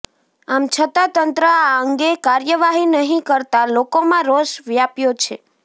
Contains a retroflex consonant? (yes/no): no